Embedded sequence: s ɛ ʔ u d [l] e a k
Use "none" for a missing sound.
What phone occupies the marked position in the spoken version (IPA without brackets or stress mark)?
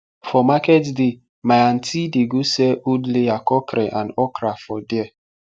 l